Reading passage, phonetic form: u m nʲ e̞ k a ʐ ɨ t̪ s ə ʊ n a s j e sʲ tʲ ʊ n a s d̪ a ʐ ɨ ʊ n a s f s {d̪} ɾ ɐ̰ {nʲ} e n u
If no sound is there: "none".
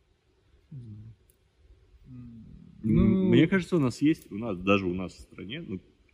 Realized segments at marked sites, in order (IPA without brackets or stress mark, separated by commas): t̪, nʲ